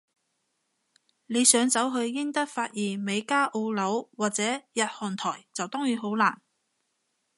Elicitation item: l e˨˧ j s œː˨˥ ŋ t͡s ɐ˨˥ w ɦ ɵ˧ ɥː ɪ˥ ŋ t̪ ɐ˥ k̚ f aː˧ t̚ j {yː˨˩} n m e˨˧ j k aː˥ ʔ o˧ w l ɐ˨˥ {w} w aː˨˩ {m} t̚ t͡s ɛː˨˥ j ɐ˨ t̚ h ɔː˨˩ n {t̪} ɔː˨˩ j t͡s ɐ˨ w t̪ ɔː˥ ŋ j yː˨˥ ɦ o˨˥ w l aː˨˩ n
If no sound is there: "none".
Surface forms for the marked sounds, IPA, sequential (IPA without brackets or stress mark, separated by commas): iː˨˩, w, none, t̪ʰ